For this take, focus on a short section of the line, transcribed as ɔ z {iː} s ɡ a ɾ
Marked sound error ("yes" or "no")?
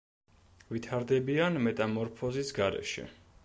yes